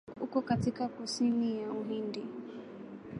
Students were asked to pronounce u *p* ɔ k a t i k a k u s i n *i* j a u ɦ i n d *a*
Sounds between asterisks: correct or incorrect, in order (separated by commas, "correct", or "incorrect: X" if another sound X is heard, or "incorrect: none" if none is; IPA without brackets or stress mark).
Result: incorrect: k, correct, incorrect: i